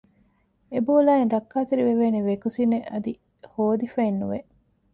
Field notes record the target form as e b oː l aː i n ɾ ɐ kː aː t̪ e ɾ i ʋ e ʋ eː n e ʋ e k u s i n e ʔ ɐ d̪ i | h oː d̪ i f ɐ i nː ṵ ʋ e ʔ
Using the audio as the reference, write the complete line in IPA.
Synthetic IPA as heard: e b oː l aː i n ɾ ɐ kː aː t̪ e ɾ i ʋ e ʋ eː n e ʋ e k u s i n e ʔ ɐ d̪ i | h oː d̪ i f ɐ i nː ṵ ʋ e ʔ